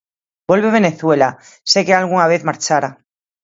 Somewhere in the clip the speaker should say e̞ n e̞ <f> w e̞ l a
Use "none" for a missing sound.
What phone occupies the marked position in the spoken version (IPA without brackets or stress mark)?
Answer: θ